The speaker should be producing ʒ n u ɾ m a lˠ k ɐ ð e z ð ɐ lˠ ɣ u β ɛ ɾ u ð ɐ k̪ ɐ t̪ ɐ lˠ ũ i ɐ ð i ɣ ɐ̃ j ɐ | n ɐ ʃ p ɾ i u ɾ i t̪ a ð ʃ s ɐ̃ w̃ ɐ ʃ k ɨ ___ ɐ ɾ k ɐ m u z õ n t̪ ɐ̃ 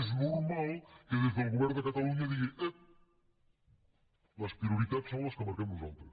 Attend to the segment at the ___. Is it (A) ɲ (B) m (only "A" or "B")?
B